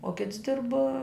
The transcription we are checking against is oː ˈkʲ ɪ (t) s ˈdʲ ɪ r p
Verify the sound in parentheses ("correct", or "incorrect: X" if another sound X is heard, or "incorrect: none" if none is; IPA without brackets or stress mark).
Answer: correct